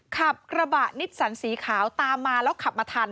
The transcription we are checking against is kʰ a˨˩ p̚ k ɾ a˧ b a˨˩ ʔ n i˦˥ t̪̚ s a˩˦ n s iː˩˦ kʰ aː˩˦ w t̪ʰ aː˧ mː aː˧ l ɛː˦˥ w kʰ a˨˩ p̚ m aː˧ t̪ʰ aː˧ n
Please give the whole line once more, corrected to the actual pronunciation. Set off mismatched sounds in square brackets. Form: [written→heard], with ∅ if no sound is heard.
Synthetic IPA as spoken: kʰ a˨˩ p̚ k ɾ a˧ b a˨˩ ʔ n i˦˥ t̪̚ s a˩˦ n s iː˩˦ kʰ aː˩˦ w [t̪ʰ→t̪] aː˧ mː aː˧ l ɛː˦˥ w kʰ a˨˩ p̚ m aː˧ t̪ʰ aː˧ n